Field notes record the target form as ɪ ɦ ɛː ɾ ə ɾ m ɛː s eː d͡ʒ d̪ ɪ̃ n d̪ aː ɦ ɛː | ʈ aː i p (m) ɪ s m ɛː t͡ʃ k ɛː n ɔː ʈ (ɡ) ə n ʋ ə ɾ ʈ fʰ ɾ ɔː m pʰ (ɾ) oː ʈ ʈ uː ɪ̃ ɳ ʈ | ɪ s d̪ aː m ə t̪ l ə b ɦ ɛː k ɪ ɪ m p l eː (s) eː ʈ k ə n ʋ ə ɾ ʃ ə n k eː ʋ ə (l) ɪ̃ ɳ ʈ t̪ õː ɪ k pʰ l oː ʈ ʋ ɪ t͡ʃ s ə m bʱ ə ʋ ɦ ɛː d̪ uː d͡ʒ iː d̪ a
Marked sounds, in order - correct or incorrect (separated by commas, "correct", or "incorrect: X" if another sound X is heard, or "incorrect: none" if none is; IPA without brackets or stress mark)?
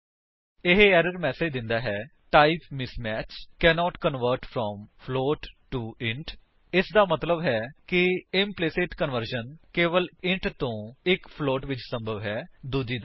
correct, incorrect: k, incorrect: l, correct, correct